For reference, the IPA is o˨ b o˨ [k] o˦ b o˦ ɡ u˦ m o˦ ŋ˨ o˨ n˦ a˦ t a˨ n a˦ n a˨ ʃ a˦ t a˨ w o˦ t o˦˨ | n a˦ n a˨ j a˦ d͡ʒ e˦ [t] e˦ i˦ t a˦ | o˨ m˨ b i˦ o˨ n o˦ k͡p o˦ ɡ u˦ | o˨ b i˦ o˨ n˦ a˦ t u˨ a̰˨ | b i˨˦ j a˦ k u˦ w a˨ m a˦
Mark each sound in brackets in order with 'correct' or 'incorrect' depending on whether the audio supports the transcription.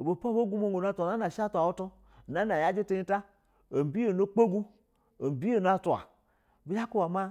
incorrect: p, correct

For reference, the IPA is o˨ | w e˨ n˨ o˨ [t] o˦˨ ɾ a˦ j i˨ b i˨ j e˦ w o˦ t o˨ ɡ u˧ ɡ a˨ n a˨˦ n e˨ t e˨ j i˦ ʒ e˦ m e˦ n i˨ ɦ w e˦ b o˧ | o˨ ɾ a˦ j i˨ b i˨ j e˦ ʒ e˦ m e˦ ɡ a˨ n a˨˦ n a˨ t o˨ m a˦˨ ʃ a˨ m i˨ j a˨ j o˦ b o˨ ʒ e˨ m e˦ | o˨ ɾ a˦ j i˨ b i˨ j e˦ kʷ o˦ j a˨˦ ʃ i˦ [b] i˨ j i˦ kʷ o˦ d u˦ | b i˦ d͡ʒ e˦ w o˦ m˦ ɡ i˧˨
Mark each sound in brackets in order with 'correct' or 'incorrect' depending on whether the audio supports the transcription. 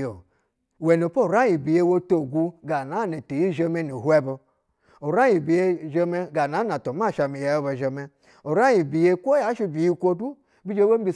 incorrect: p, correct

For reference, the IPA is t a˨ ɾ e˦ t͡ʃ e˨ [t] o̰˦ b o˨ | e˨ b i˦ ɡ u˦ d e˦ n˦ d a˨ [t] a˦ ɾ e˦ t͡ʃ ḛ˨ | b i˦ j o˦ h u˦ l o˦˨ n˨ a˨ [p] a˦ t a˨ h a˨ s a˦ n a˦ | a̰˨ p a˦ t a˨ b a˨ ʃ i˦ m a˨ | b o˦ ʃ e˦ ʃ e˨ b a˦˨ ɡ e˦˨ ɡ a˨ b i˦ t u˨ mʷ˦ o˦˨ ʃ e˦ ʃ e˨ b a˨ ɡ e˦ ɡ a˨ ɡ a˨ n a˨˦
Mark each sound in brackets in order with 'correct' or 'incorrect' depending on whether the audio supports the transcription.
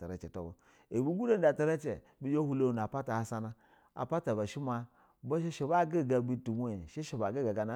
correct, correct, correct

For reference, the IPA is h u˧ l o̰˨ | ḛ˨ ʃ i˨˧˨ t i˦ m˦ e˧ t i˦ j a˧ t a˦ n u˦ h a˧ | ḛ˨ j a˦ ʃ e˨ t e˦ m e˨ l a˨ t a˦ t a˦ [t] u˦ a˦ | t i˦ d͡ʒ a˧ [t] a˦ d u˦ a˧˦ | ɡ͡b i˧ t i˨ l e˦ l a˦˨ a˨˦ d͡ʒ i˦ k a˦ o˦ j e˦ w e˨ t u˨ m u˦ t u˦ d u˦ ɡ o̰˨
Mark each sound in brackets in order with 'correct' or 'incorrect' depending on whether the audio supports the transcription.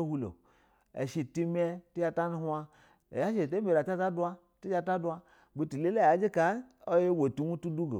incorrect: d, correct

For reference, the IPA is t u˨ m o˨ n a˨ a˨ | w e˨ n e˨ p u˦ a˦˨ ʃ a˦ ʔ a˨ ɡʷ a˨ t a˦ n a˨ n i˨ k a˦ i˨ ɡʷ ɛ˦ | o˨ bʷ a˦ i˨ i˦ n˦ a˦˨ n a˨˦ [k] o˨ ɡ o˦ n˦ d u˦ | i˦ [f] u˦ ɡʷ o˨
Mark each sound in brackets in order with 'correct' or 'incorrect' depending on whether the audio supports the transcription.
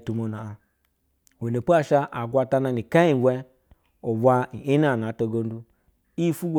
incorrect: t, correct

